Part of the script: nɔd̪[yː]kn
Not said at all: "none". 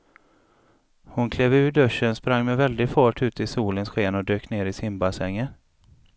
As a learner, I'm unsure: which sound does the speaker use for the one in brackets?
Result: øː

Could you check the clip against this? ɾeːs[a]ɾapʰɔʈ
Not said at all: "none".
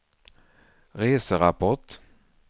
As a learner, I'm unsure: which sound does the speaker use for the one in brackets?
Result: ə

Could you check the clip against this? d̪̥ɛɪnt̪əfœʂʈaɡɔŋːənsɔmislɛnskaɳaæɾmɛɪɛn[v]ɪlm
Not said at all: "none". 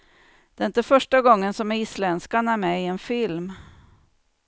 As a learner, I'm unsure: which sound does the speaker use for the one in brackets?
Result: f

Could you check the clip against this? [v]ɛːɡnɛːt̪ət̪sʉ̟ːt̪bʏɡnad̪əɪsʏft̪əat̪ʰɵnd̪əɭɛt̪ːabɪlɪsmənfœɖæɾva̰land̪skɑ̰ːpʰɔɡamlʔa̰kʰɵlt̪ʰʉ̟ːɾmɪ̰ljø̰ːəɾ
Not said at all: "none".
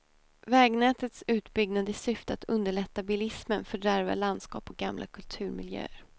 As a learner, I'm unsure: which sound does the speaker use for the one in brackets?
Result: v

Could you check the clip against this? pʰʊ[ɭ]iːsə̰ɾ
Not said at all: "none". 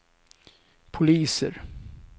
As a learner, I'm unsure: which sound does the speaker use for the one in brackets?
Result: l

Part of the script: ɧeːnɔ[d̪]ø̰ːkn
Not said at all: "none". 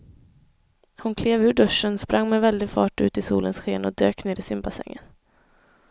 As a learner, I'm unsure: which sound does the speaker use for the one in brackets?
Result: d̪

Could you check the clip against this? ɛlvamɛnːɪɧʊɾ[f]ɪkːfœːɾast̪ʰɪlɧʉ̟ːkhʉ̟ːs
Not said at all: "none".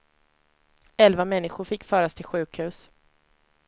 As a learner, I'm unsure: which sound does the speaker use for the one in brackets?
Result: f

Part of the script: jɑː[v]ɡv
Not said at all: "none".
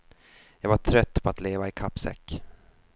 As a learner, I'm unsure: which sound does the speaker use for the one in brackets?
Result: none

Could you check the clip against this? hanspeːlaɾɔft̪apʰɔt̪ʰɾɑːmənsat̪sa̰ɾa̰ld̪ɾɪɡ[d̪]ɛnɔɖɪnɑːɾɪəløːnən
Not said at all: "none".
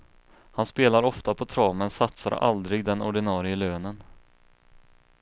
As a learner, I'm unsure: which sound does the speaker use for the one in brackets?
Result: d̪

